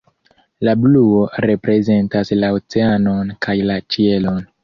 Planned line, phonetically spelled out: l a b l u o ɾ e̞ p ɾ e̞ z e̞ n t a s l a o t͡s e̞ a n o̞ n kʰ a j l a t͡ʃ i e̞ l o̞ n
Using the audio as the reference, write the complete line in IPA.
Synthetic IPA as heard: l a b l u o ɾ e̞ p ɾ e̞ z e̞ n t a s l a o t͡s e̞ a n o̞ n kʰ a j l a t͡ʃ i e̞ l o̞ n